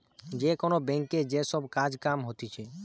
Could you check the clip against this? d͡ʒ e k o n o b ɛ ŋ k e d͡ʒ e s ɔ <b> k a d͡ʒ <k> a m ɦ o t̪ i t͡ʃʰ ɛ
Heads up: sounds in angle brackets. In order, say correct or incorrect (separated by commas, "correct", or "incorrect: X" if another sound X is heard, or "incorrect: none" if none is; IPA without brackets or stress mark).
correct, correct